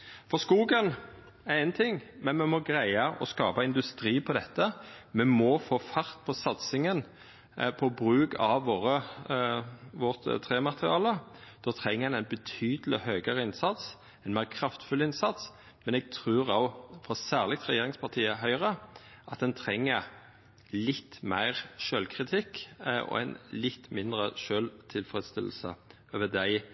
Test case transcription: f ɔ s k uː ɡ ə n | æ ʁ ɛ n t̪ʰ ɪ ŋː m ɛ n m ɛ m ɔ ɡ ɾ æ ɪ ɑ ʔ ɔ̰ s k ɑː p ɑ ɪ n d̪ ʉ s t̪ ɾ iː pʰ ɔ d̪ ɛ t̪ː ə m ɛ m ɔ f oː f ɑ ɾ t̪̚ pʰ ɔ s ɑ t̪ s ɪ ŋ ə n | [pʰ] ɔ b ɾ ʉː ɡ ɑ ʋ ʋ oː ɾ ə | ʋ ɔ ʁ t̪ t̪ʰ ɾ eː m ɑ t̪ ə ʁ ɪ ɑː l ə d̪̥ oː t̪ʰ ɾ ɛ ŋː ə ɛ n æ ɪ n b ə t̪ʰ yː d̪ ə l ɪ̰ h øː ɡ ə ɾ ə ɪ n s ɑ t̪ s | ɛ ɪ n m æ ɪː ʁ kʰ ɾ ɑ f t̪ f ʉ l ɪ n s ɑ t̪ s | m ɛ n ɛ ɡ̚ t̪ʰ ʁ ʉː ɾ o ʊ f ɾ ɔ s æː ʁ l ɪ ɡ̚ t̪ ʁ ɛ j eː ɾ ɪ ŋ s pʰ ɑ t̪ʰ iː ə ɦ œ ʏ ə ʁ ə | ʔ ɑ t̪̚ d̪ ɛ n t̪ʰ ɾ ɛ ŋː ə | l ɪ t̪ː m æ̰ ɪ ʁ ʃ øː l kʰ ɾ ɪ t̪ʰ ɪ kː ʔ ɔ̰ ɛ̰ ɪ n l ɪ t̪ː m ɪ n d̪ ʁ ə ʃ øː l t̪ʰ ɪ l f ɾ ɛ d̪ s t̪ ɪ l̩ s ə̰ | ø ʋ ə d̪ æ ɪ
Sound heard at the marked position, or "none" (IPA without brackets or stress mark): pʰ